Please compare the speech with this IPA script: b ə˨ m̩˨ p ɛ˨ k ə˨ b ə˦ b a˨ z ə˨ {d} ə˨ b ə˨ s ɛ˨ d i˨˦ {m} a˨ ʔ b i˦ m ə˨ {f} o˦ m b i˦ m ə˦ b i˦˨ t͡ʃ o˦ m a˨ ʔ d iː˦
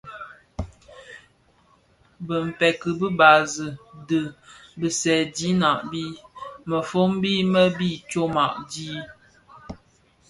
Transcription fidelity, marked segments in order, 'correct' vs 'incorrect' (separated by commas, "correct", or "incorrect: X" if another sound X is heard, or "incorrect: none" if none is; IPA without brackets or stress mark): correct, incorrect: n, correct